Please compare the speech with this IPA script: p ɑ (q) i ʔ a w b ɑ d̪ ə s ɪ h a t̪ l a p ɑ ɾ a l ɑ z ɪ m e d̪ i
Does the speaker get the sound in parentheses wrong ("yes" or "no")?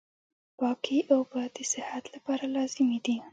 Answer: yes